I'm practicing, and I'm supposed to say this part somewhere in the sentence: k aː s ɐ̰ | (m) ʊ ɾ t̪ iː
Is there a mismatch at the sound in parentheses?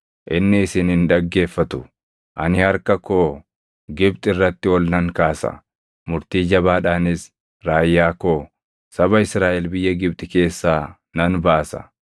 no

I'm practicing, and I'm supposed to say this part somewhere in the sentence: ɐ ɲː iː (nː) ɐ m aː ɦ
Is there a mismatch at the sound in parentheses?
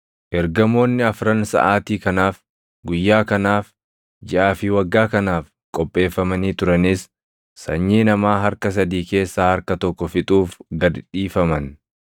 yes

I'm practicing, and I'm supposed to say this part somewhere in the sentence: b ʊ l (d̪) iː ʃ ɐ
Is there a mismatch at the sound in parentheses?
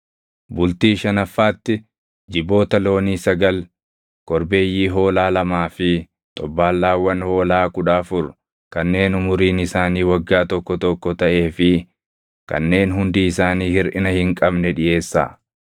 yes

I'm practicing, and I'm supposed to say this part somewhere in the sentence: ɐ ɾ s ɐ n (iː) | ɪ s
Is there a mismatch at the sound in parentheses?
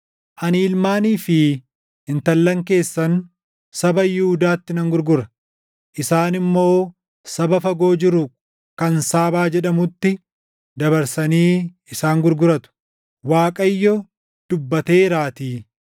no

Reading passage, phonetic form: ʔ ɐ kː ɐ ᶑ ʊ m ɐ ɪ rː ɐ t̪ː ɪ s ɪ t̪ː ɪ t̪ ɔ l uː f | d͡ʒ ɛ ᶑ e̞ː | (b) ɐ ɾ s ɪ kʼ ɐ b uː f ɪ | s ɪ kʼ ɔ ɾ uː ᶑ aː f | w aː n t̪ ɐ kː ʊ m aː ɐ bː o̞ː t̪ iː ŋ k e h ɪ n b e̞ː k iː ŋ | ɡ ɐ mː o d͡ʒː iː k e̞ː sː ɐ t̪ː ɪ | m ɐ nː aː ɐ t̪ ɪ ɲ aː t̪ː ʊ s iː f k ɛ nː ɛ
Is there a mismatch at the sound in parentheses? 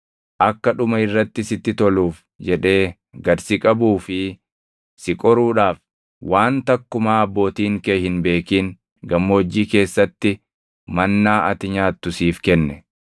yes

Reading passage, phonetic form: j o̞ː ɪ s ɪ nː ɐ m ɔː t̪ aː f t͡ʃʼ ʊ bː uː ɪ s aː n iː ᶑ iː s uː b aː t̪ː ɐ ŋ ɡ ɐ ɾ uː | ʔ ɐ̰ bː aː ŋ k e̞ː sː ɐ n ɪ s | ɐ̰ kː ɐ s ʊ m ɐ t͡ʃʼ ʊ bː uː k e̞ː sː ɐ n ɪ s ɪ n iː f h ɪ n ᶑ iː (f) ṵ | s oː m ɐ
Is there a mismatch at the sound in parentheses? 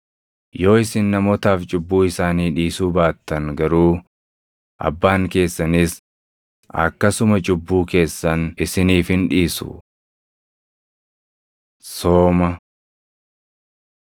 yes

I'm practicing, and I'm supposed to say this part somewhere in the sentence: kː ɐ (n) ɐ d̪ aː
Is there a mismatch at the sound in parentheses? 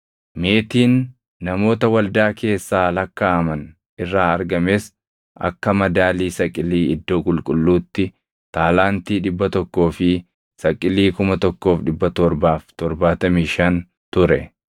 yes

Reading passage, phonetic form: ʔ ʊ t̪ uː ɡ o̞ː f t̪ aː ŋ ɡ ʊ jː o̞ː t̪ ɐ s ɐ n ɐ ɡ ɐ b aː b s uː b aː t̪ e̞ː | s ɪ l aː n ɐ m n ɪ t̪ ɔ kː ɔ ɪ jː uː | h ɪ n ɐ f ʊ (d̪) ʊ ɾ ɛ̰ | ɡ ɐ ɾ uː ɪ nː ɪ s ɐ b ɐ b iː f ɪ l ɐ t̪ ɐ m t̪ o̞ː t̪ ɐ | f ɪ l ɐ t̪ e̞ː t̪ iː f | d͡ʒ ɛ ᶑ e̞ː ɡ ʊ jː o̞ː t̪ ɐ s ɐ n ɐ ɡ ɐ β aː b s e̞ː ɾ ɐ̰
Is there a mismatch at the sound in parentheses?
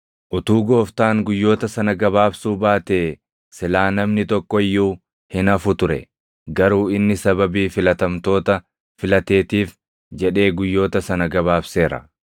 yes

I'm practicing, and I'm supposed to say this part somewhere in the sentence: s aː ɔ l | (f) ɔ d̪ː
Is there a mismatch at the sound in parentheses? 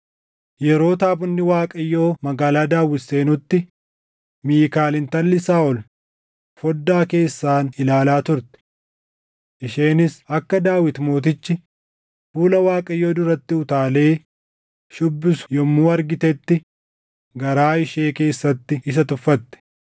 no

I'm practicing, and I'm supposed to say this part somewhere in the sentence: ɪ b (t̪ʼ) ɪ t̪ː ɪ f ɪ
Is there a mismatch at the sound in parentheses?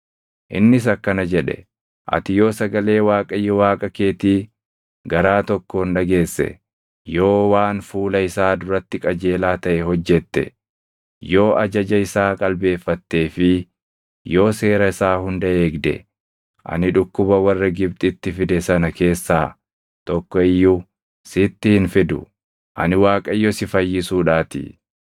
no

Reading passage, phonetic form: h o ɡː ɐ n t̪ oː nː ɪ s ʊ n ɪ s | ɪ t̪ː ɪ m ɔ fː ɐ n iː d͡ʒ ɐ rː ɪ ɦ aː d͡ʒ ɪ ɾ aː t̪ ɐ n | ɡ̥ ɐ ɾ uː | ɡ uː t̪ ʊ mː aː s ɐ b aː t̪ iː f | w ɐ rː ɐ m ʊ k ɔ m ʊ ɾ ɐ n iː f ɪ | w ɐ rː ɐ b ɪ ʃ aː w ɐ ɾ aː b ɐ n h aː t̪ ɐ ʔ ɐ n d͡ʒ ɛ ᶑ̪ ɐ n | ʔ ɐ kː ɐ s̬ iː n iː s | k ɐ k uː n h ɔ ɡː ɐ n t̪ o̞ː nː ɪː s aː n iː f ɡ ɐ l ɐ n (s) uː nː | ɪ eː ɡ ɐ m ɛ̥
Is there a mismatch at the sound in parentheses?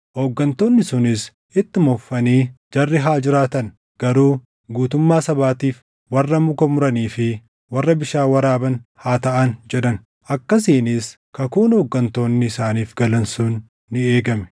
no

